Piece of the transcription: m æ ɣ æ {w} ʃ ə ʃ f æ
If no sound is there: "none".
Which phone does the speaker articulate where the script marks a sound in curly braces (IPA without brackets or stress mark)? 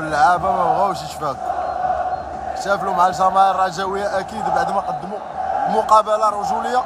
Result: w